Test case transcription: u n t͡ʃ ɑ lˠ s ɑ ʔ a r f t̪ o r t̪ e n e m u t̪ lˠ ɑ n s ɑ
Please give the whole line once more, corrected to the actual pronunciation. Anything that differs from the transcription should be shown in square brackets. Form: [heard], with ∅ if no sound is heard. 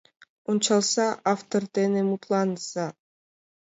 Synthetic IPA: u n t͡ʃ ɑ lˠ s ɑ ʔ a [∅] f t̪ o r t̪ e n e m u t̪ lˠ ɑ n s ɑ